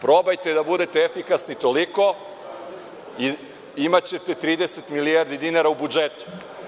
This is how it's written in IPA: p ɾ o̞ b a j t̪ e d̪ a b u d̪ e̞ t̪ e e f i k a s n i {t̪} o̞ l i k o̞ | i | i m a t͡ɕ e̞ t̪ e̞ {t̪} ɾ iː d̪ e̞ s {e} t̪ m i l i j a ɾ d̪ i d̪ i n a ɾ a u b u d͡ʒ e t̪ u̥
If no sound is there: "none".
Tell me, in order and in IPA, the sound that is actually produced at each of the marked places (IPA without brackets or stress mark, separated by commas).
t̪, t̪, e